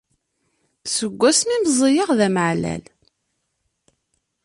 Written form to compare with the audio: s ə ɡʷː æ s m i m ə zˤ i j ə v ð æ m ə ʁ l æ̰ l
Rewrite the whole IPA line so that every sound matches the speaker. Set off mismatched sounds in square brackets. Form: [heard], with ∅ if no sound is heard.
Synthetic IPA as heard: s ə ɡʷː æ s m i m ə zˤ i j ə [ʁ] ð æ m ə [ʕ] l æ̰ l